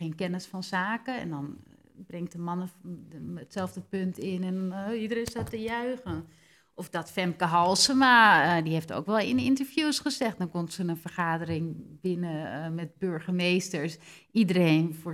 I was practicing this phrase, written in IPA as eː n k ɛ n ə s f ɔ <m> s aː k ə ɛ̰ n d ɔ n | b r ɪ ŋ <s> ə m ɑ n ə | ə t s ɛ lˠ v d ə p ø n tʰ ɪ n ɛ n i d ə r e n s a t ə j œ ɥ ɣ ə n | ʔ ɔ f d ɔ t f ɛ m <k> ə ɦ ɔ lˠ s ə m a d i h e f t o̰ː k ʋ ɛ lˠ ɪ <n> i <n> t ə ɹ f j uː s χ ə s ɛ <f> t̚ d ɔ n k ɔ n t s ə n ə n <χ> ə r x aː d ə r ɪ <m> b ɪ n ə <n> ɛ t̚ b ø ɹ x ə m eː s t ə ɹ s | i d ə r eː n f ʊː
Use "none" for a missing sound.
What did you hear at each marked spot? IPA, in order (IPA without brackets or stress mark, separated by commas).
n, t, k, n, n, x, f, ŋ, m